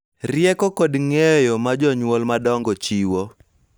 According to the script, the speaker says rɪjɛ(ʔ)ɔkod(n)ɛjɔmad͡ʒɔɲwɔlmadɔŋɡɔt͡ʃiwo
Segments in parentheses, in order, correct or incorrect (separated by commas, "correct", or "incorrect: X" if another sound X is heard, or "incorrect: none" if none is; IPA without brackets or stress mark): incorrect: k, incorrect: ŋ